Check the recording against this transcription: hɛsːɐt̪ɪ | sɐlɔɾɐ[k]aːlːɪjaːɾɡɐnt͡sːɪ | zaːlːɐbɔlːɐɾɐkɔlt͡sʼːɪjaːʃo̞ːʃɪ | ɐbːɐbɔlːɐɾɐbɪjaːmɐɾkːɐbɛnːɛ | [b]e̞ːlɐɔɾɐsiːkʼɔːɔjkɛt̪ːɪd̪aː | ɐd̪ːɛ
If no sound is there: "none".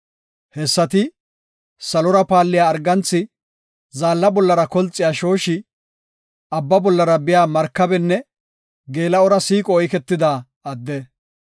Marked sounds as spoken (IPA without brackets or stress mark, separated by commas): p, ɡ